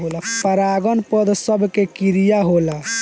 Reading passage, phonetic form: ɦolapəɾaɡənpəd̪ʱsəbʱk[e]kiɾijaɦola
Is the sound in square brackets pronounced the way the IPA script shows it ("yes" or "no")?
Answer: yes